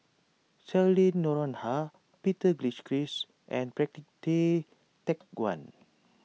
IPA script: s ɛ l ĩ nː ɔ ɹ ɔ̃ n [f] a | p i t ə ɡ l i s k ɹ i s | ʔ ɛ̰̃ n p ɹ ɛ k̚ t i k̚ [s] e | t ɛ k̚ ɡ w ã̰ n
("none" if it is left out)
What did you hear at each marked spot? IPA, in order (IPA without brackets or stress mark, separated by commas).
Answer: h, t